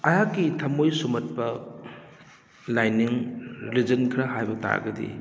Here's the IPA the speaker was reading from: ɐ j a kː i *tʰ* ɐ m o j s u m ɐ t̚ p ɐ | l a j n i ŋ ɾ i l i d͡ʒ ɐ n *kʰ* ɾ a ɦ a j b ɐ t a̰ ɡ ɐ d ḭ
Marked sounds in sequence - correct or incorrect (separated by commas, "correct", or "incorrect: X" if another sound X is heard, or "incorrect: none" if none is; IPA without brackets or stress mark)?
correct, correct